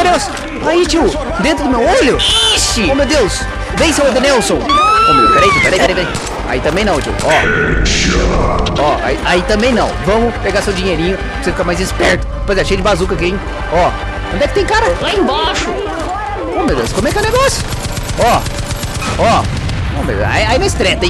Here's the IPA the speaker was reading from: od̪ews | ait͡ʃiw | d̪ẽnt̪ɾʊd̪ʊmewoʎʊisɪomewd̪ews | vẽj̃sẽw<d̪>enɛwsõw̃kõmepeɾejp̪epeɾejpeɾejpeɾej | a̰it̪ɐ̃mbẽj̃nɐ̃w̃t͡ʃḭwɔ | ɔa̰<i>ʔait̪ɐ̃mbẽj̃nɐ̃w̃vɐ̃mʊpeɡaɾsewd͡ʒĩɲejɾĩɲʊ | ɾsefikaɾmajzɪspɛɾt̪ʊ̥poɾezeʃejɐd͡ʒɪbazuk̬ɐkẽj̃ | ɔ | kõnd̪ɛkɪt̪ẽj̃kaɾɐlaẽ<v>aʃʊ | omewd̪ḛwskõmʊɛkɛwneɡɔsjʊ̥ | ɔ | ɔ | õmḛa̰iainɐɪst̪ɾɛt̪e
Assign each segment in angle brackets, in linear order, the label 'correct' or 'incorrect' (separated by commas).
correct, correct, incorrect